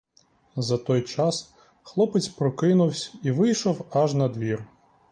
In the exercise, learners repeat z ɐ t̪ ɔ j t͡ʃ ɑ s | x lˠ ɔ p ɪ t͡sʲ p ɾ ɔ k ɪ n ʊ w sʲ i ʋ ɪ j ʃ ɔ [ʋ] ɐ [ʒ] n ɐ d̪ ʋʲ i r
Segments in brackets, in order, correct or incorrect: incorrect, correct

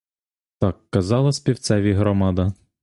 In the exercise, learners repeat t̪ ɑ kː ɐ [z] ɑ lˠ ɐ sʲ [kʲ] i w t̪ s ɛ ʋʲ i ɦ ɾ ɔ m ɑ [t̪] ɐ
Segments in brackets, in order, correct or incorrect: correct, incorrect, incorrect

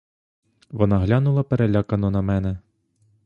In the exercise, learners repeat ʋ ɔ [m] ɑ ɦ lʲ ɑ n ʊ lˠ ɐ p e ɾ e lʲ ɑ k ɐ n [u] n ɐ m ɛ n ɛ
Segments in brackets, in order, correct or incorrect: incorrect, incorrect

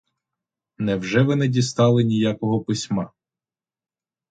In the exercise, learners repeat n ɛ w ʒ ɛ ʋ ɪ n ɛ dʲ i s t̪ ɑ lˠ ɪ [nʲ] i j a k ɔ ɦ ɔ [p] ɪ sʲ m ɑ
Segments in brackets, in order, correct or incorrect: correct, correct

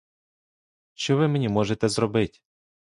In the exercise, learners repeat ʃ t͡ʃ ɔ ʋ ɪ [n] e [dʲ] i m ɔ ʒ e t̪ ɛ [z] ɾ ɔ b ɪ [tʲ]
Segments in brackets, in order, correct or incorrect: incorrect, incorrect, correct, correct

